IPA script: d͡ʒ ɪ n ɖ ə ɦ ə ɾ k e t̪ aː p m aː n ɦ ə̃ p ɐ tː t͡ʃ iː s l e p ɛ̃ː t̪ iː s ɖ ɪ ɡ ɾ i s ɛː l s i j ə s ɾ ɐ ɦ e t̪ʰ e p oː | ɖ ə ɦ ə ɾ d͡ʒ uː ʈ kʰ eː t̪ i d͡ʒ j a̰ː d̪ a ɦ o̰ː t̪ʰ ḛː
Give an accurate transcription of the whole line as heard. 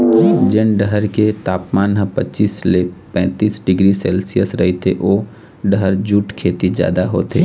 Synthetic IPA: d͡ʒ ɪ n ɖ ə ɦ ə ɾ k e t̪ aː p m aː n ɦ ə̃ p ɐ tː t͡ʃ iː s l e p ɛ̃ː t̪ iː s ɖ ɪ ɡ ɾ i s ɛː l s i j ə s ɾ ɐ ɦ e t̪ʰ e ʔ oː | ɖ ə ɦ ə ɾ d͡ʒ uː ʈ kʰ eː t̪ i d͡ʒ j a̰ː d̪ a ɦ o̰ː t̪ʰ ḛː

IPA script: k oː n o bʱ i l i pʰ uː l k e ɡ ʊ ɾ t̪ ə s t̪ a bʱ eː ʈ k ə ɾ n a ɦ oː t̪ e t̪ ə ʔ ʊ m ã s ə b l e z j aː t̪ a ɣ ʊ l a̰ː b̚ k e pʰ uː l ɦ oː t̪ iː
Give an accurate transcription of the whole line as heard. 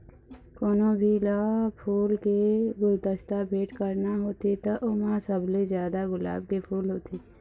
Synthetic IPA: k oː n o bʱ i l a pʰ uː l k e ɡ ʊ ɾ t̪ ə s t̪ a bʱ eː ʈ k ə ɾ n a ɦ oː t̪ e t̪ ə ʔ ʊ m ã s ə b l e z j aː d̪ a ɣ ʊ l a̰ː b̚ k e pʰ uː l ɦ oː t̪ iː

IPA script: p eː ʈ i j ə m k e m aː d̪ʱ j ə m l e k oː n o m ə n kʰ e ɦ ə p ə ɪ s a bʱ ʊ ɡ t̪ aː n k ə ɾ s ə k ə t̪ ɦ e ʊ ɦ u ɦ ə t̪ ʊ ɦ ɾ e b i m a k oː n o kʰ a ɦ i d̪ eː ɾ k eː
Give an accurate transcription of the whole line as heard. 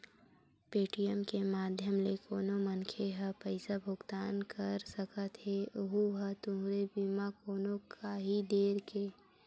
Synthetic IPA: p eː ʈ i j ə m k e m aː d̪ʱ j ə m l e k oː n o m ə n kʰ e ɦ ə p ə ɪ s a bʱ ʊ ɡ t̪ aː n k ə ɾ s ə k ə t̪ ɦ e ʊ ɦ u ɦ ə t̪ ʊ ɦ ɾ e b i m a k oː n o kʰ a ɦ i d̪ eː ɾ k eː

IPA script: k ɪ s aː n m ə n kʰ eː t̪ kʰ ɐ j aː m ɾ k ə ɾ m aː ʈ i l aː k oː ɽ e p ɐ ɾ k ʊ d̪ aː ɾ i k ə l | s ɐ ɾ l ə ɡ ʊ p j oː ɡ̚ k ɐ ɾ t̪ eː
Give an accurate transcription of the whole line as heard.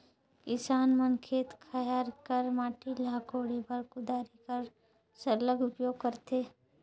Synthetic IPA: k ɪ s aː n m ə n kʰ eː t̪ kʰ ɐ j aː ɾ k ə ɾ m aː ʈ i l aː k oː ɽ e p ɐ ɾ k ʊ d̪ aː ɾ i k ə ɾ | s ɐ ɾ l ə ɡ ʊ p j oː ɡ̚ k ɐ ɾ t̪ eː

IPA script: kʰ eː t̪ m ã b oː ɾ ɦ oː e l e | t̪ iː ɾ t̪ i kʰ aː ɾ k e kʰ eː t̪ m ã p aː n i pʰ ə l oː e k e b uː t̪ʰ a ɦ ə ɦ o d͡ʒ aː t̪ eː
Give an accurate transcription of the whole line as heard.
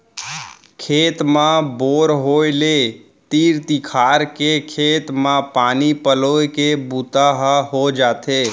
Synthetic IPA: kʰ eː t̪ m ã b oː ɾ ɦ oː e l e | t̪ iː ɾ t̪ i kʰ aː ɾ k e kʰ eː t̪ m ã p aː n i p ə l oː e k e b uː t̪ a ɦ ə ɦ o d͡ʒ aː t̪ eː

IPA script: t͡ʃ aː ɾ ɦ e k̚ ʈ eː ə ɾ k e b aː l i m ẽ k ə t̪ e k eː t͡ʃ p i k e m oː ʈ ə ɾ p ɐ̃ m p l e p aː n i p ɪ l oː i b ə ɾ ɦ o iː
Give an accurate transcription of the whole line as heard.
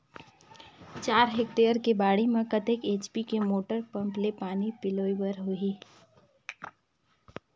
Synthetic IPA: t͡ʃ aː ɾ ɦ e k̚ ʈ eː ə ɾ k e b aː ɽ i m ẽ k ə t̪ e k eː t͡ʃ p i k e m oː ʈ ə ɾ p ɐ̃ m p l e p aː n i p ɪ l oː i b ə ɾ ɦ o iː

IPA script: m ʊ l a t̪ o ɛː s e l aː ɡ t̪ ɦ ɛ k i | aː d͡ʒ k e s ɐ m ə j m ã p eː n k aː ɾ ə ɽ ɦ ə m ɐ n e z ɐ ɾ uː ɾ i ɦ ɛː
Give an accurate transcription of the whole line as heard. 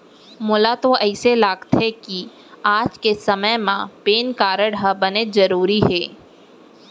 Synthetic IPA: m ʊ l a t̪ o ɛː s e l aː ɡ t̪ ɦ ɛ k i | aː d͡ʒ k e s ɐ m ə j m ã p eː n k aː ɾ ə ɽ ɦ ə b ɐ n e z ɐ ɾ uː ɾ i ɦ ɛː

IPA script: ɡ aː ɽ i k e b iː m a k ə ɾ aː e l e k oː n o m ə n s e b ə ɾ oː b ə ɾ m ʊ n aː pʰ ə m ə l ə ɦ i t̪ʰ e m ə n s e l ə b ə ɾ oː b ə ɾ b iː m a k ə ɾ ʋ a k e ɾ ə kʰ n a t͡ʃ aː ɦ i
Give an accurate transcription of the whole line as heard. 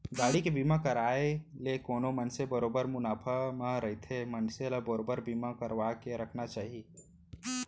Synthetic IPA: ɡ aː ɽ i k e b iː m a k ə ɾ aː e l e k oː n o m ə n s e b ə ɾ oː b ə ɾ m ʊ n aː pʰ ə m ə ɾ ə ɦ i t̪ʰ e m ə n s e l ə b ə ɾ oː b ə ɾ b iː m a k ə ɾ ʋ a k e ɾ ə kʰ n a t͡ʃ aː ɦ i

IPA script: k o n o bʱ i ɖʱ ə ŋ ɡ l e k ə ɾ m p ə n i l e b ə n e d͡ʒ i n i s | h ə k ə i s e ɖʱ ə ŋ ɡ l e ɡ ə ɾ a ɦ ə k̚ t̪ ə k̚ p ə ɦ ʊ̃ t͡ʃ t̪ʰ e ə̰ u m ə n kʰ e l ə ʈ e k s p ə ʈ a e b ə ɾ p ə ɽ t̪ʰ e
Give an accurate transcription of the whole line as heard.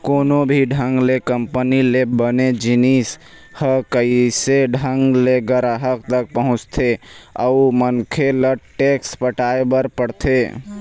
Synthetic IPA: k o n o bʱ i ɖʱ ə ŋ ɡ l e k ə m p ə n i l e b ə n e d͡ʒ i n i s | h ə k ə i s e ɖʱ ə ŋ ɡ l e ɡ ə ɾ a ɦ ə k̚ t̪ ə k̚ p ə ɦ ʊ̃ t͡ʃ t̪ʰ e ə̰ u m ə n kʰ e l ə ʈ e k s p ə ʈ a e b ə ɾ p ə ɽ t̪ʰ e

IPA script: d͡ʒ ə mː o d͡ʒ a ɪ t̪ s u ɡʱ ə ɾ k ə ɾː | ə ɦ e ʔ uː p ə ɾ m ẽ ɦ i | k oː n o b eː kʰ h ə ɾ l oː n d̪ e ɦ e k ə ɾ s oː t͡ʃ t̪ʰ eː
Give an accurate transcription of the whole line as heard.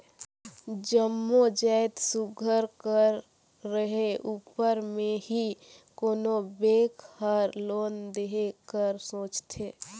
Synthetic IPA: d͡ʒ ə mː o d͡ʒ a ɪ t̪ s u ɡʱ ə ɾ k ə ɾː | ə ɦ e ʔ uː p ə ɾ m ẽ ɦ i | k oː n o b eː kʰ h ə ɾ l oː n d̪ e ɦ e k ə ɾ s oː t͡ʃ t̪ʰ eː

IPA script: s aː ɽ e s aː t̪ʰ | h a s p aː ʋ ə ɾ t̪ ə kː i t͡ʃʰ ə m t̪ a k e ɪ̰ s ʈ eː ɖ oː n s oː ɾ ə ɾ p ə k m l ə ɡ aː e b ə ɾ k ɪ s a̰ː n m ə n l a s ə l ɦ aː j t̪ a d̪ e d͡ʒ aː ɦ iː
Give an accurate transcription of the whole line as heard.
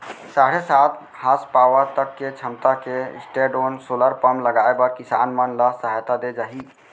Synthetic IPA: s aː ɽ e s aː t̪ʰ | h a s p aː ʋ ə ɾ t̪ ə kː e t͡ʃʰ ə m t̪ a k e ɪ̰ s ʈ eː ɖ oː n s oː l ə ɾ p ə m l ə ɡ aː e b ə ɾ k ɪ s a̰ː n m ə n l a s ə ɦ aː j t̪ a d̪ e d͡ʒ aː ɦ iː

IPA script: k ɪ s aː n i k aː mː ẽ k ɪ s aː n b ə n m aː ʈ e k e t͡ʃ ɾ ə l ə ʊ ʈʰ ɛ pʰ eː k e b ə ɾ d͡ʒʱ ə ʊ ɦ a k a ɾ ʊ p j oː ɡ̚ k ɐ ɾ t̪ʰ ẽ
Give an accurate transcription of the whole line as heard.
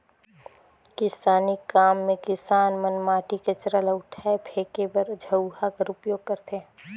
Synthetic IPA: k ɪ s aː n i k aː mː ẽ k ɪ s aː n m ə n m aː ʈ i k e t͡ʃ ɾ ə l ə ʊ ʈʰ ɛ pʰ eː k e b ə ɾ d͡ʒʱ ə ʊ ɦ a k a ɾ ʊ p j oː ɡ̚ k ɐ ɾ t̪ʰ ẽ

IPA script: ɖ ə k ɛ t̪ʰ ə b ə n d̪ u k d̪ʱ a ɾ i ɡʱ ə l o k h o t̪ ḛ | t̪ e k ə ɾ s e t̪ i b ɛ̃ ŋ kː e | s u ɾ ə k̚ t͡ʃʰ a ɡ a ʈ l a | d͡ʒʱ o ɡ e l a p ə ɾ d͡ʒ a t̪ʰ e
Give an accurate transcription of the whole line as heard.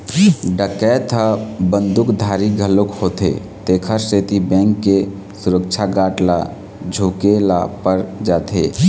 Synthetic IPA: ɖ ə k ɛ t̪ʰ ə b ə n d̪ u k d̪ʱ a ɾ i ɡʱ ə l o k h o t̪ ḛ | t̪ e kʰ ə ɾ s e t̪ i b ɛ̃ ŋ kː e | s u ɾ ə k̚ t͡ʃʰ a ɡ a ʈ l a | d͡ʒʱ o k e l a p ə ɾ d͡ʒ a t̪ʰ e

